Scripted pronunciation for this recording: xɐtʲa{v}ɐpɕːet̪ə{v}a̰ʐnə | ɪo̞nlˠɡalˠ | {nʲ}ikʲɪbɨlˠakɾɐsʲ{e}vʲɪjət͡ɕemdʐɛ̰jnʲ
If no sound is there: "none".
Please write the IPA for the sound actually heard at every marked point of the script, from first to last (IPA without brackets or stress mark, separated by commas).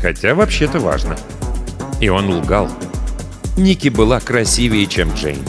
v, v, nʲ, i